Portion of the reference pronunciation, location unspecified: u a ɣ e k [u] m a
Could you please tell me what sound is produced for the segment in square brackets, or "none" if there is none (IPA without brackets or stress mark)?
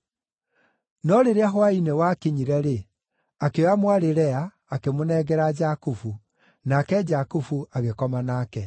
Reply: ɔ